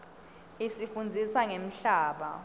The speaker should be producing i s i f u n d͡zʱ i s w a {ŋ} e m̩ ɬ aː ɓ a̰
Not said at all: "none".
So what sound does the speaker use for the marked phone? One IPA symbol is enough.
ŋ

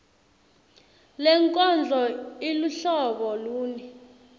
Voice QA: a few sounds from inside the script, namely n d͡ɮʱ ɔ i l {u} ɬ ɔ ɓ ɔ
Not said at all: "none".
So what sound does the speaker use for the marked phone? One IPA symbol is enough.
u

